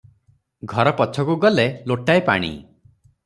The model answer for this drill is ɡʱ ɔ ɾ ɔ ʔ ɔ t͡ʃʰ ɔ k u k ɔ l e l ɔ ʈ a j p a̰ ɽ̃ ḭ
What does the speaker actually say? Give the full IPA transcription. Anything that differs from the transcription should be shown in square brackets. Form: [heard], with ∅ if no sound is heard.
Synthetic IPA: ɡʱ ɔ ɾ ɔ [p] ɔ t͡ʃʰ ɔ k u [ɡ] ɔ l e l [o] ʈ a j p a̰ ɽ̃ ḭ